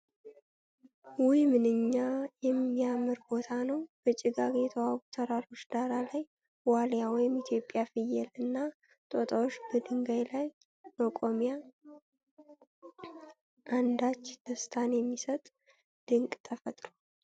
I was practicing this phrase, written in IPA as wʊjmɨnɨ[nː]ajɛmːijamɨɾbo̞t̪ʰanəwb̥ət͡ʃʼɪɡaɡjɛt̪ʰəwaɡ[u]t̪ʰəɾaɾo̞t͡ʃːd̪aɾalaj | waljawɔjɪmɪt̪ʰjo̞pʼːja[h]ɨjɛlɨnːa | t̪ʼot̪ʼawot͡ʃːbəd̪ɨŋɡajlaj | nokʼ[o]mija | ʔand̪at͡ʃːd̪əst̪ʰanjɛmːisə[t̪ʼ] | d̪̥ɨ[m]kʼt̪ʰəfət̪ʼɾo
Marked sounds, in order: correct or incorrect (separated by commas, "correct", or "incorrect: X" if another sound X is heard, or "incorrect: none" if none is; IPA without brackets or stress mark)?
incorrect: ɲː, correct, incorrect: f, correct, correct, incorrect: ŋ